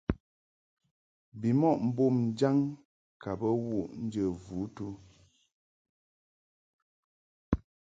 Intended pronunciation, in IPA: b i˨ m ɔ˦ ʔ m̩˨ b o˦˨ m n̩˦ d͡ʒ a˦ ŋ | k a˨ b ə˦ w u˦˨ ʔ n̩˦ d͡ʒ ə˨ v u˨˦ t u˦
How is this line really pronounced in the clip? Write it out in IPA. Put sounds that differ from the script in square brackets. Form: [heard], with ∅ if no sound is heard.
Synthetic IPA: b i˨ m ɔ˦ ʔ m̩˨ b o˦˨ m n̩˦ d͡ʒ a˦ ŋ | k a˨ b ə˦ w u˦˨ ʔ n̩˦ d͡ʒ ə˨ v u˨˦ t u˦